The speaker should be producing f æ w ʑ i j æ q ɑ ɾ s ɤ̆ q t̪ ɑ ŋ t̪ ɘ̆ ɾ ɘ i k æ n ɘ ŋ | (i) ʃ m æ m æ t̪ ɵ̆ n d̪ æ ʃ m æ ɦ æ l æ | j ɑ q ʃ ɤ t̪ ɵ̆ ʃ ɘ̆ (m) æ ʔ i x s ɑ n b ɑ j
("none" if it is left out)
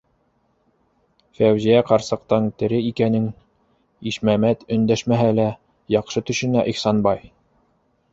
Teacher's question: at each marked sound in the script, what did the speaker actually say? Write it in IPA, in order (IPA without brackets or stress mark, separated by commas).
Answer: i, n